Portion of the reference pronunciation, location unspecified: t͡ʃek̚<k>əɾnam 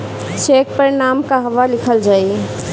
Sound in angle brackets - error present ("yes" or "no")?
yes